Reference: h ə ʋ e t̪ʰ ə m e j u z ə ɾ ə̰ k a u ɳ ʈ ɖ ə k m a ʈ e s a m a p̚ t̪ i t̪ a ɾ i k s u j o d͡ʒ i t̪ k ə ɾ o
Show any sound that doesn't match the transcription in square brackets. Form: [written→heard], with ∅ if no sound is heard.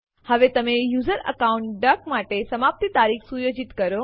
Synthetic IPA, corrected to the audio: h ə ʋ e [t̪ʰ→t̪] ə m e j u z ə ɾ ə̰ k a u ɳ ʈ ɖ ə k m a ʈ e s [a→ə] m a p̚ t̪ i t̪ a ɾ i k s u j o d͡ʒ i t̪ k ə ɾ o